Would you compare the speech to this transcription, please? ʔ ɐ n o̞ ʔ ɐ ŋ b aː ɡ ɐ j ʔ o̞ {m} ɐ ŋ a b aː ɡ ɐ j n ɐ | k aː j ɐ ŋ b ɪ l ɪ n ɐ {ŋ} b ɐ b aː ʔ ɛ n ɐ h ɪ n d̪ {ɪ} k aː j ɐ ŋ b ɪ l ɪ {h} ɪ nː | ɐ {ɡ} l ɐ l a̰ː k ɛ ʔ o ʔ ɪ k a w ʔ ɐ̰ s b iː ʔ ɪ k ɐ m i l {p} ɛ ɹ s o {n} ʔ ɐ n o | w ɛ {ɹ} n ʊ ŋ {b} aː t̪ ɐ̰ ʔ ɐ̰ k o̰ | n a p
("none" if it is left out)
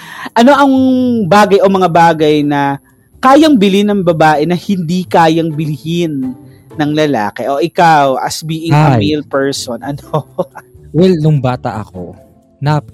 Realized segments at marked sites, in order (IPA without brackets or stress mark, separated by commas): m, ŋ, i, h, ŋ, p, n, l, b